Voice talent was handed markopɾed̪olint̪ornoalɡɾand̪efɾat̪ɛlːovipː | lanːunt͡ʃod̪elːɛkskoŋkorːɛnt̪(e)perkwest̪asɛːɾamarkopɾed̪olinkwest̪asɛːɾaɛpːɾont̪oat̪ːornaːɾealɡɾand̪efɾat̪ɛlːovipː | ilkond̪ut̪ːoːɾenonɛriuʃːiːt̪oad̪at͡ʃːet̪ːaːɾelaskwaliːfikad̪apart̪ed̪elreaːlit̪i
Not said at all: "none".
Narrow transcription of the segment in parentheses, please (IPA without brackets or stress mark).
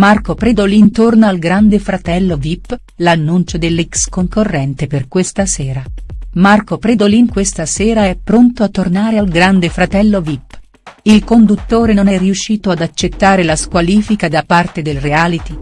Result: e